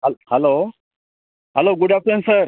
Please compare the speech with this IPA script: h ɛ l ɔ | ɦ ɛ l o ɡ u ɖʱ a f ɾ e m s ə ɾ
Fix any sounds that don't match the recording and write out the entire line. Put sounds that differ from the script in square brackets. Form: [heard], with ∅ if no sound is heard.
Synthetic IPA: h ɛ l [o] | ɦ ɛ l o ɡ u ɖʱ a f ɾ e [n] s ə ɾ